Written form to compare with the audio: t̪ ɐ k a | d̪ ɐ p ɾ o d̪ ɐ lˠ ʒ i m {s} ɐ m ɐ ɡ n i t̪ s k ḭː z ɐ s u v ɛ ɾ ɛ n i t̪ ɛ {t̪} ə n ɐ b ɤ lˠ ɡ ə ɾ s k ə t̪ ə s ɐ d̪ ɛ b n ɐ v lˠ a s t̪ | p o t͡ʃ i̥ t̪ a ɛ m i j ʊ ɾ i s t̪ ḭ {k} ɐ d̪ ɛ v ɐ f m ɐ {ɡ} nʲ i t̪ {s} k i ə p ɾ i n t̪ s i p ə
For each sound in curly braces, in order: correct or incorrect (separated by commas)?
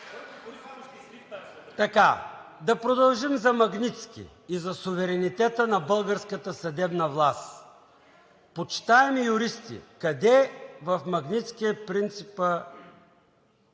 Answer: incorrect, correct, correct, correct, correct